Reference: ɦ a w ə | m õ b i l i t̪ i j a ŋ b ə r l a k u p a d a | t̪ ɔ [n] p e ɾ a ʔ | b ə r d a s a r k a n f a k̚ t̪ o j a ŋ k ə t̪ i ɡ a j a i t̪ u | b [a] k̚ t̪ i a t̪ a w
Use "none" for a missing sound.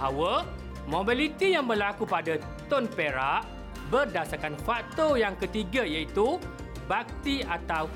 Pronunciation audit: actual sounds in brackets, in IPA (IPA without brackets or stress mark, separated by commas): n, a